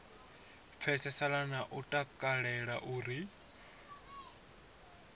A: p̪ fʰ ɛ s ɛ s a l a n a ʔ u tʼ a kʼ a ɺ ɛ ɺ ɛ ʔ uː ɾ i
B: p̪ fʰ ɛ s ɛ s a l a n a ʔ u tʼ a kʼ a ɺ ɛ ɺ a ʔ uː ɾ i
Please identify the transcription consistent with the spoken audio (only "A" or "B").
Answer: B